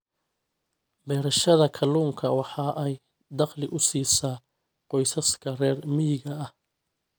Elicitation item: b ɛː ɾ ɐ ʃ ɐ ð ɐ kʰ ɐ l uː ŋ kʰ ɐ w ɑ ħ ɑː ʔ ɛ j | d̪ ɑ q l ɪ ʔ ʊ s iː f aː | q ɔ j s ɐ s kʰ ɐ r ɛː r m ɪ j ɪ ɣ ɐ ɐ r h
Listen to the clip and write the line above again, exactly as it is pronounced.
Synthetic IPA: b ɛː ɾ ɐ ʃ ɐ ð ɐ kʰ ɐ l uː ŋ kʰ ɐ w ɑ ħ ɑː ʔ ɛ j | d̪ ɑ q l ɪ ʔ ʊ s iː s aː | q ɔ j s ɐ s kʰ ɐ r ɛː r m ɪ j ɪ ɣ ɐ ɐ h